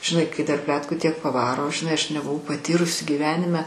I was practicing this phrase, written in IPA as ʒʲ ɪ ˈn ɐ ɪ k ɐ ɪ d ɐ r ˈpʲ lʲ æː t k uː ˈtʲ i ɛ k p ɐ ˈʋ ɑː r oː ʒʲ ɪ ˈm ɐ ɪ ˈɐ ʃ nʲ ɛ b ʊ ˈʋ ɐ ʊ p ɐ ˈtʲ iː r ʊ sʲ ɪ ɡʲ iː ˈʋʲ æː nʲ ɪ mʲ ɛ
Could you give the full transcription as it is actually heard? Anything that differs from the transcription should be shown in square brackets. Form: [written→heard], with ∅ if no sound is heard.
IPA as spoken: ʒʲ ɪ ˈn ɐ ɪ k ɐ ɪ d ɐ r ˈpʲ lʲ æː t k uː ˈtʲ i ɛ k p ɐ ˈʋ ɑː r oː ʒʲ ɪ [ˈm→ˈn] ɐ ɪ ˈɐ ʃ nʲ ɛ b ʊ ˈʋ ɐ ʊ p ɐ ˈtʲ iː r ʊ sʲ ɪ ɡʲ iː ˈʋʲ æː nʲ ɪ mʲ ɛ